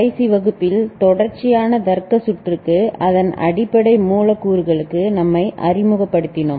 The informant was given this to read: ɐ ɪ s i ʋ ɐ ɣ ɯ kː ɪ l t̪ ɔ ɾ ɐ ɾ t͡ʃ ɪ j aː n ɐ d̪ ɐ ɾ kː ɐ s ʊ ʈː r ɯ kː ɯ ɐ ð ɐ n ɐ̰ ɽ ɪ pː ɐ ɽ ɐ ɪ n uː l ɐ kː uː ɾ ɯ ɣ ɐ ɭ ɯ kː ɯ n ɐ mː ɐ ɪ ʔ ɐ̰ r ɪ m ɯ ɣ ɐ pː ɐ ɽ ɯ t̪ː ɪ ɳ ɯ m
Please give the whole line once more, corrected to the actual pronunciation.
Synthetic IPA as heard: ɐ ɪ s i ʋ ɐ ɣ ɯ pː ɪ l t̪ ɔ ɽ ɐ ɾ t͡ʃ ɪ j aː n ɐ d̪ ɐ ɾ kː ɐ s ʊ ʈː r ɯ kː ɯ ɐ ð ɐ n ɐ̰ ɽ ɪ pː ɐ ɽ ɐ ɪ m uː l ɐ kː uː ɾ ɯ ɣ ɐ ɭ ɯ kː ɯ n ɐ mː ɐ ɪ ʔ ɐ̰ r ɪ m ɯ ɣ ɐ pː ɐ ɽ ɯ t̪ː ɪ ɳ ɯ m